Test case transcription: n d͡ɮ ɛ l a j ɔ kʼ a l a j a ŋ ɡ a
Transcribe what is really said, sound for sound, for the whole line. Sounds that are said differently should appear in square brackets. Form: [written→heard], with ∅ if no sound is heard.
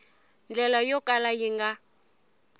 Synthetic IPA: n d͡ɮ ɛ l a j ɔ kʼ a l a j [a→i] ŋ ɡ a